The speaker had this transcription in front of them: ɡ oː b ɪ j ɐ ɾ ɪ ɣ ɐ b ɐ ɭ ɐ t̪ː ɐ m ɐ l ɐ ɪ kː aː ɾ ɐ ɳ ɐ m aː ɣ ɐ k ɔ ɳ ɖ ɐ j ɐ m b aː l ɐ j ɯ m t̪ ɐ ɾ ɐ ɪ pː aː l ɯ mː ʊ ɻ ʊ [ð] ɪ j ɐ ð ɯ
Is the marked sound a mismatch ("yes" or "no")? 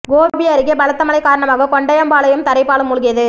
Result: yes